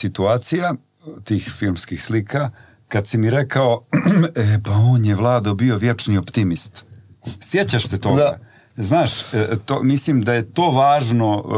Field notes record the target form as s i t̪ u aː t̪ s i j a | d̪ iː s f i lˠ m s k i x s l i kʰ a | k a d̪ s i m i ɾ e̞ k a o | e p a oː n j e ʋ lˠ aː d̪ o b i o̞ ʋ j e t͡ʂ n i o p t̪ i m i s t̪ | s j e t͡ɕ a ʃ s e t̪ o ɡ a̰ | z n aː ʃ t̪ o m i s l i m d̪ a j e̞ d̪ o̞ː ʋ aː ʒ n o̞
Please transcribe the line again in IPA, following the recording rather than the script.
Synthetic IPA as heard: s i t̪ u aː t̪ s i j a | t̪ iː x f i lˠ m s k i x s l i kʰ a | k a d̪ s i m i ɾ e̞ k a o | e p a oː n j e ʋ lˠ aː d̪ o b i o̞ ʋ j e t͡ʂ n i o p t̪ i m i s t̪ | s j e t͡ɕ a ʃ s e t̪ o ɡ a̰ | z n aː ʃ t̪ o m i s l i m d̪ a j e̞ t̪ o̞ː ʋ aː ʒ n o̞